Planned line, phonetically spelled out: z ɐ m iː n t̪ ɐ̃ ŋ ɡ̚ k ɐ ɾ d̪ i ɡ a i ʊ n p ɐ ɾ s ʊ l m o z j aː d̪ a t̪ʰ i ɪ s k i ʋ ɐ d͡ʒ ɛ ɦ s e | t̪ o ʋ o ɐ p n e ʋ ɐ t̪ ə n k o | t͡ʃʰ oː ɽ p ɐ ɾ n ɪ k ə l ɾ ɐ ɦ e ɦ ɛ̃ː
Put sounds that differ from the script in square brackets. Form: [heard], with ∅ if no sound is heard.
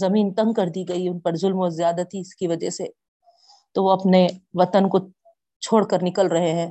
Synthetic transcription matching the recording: z ɐ m iː n t̪ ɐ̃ ŋ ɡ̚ k ɐ ɾ d̪ i ɡ [ɐ] i ʊ n p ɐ ɾ [z] ʊ l m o z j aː d̪ a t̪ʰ i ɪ s k i ʋ ɐ d͡ʒ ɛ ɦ s e | t̪ o ʋ o ɐ p n e ʋ ɐ t̪ ə n k o | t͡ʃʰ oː ɽ [k] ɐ ɾ n ɪ k ə l ɾ ɐ ɦ e ɦ ɛ̃ː